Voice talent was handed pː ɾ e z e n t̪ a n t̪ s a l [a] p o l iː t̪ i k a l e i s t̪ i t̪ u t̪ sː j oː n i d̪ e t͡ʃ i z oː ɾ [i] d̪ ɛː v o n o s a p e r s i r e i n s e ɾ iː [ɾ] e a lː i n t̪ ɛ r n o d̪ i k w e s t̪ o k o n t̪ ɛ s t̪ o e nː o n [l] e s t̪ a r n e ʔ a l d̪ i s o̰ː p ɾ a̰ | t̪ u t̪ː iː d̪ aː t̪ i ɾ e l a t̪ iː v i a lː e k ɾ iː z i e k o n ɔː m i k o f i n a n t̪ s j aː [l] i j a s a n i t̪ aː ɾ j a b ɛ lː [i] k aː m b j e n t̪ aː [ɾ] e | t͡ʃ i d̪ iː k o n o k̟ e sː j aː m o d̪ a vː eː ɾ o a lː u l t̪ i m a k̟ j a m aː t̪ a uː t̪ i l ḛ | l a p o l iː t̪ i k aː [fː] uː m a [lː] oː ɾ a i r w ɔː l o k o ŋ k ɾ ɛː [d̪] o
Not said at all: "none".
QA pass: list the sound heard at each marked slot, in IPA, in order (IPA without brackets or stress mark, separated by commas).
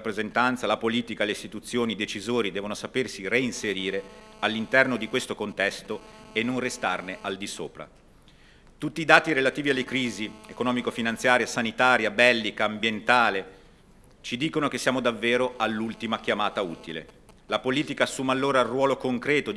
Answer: a, i, ɾ, r, ɾ, i, l, sː, lː, t̪